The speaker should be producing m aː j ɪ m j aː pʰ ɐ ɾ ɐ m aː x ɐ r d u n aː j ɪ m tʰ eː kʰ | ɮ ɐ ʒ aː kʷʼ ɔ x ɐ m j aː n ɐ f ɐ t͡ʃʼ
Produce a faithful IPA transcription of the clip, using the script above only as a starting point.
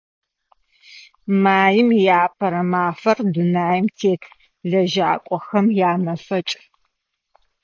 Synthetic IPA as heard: m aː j ɪ m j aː pʰ ɐ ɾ ɐ m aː f ɐ r d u n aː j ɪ m tʰ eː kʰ | ɮ ɐ ʒ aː kʷʼ ɔ x ɐ m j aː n ɐ f ɐ t͡ʃʼ